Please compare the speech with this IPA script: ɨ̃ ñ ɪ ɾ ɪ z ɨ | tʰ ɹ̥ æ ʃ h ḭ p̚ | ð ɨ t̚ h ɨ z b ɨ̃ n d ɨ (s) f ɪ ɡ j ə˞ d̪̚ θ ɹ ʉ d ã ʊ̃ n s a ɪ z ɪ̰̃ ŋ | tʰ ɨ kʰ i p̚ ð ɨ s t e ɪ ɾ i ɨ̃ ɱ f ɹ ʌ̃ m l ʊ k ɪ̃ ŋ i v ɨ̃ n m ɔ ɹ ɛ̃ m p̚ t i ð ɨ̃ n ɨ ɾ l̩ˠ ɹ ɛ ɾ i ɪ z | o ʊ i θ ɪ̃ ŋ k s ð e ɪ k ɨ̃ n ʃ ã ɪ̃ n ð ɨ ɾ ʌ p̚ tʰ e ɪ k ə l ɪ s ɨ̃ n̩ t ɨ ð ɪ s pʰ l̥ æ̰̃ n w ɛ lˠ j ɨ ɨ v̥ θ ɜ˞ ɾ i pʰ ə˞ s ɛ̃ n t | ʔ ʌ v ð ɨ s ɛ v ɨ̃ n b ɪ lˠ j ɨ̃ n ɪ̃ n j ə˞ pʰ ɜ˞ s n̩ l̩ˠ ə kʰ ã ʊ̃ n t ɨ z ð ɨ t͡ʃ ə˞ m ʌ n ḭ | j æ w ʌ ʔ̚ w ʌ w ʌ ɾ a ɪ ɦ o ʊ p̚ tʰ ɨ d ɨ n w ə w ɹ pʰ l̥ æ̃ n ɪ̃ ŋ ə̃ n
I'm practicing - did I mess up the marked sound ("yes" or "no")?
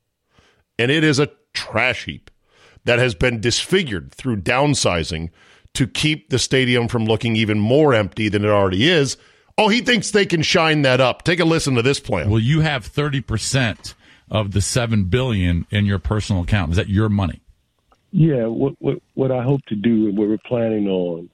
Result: no